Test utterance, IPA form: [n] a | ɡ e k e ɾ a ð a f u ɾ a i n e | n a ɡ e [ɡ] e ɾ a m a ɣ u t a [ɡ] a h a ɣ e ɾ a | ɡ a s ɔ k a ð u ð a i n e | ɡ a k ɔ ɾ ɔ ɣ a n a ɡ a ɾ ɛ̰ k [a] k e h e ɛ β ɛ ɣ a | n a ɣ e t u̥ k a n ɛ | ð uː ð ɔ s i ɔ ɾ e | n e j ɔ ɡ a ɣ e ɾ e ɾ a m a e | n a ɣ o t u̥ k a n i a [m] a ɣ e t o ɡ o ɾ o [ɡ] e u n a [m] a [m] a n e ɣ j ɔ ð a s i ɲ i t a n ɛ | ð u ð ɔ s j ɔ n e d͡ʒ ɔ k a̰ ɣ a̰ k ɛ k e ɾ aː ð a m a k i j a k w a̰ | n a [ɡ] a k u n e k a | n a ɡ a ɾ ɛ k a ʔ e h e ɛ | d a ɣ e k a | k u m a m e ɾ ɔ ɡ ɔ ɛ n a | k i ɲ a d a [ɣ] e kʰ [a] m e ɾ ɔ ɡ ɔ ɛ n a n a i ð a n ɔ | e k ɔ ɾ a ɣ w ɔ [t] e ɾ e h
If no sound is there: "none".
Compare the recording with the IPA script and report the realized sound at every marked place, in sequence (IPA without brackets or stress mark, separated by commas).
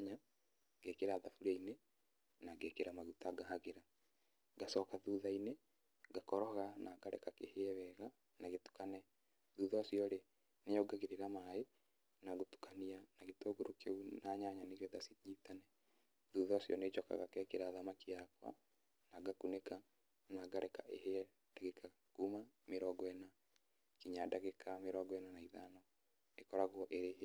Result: ɲ, k, ɡ, a, n, k, ɲ, ɲ, ɡ, ɣ, a, ʔ